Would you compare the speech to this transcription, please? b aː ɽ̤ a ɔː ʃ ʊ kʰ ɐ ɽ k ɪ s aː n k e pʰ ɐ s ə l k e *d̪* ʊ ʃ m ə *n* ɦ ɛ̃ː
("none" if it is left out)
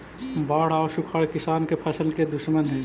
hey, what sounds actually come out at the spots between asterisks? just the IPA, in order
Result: d̪, n

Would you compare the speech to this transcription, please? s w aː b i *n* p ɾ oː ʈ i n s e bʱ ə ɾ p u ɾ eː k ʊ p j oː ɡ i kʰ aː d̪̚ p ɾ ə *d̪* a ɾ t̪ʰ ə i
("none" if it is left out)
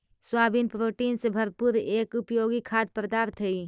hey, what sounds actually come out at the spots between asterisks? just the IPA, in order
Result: n, d̪

